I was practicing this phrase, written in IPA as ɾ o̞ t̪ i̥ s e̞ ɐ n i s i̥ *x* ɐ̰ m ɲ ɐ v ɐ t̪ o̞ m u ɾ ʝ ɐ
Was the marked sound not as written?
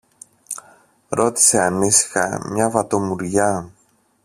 no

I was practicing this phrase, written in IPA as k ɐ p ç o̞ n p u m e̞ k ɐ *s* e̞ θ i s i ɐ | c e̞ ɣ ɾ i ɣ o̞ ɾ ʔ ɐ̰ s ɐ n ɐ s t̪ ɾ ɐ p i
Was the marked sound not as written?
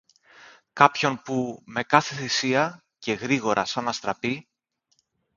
yes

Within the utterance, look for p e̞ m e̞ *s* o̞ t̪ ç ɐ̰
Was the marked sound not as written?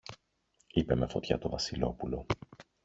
yes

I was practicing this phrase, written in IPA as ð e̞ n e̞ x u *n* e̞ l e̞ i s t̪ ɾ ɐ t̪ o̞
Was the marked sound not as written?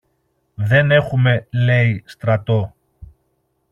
yes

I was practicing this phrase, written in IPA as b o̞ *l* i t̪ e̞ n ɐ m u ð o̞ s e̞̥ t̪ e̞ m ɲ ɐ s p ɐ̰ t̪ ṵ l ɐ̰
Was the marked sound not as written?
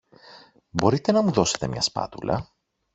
yes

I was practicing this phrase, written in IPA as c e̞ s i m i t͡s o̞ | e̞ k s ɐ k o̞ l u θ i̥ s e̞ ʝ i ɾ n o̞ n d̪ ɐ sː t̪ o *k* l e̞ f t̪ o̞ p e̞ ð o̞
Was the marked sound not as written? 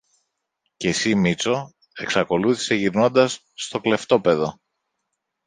no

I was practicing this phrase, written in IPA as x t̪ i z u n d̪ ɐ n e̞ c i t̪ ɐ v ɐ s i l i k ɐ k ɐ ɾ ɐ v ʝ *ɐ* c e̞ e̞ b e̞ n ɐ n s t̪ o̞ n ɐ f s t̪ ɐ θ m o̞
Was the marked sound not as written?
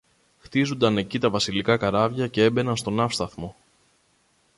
no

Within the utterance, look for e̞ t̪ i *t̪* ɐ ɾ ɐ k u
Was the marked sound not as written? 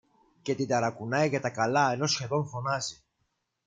yes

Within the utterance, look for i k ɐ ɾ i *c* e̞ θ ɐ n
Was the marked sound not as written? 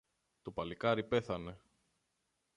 yes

